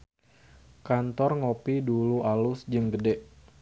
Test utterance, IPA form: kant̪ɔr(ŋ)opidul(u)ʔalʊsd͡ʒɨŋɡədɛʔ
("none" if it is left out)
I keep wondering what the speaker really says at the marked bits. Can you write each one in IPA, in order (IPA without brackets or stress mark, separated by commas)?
ŋ, u